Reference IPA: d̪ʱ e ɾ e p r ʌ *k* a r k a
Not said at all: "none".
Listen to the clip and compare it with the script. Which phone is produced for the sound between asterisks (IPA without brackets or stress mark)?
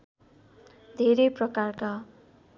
k